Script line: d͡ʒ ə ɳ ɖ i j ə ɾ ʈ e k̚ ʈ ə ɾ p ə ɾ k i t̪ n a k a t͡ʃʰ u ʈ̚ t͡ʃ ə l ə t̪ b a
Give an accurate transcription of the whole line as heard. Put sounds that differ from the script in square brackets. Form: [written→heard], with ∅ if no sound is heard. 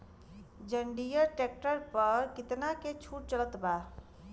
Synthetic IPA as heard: d͡ʒ ə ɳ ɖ i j ə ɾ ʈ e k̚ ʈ ə ɾ p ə ɾ k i t̪ n a k [a→e] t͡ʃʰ u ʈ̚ t͡ʃ ə l ə t̪ b a